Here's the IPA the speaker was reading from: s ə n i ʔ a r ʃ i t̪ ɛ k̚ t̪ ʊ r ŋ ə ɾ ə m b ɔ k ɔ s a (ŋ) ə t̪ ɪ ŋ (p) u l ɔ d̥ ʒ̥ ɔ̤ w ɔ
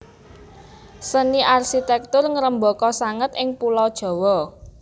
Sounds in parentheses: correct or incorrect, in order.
correct, correct

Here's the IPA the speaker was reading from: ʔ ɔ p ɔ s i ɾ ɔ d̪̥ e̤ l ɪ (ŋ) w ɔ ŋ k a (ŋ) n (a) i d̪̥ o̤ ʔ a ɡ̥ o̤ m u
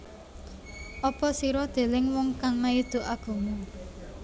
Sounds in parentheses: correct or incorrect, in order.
correct, correct, correct

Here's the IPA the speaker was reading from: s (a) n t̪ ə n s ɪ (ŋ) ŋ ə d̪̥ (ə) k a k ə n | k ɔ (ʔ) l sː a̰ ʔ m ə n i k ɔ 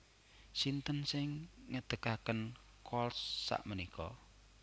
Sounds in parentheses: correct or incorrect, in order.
incorrect: i, correct, correct, incorrect: none

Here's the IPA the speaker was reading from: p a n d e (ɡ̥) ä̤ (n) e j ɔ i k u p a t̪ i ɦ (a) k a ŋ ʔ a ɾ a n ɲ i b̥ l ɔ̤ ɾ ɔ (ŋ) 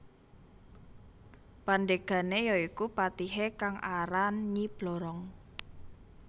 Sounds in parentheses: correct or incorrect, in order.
correct, correct, incorrect: e, correct

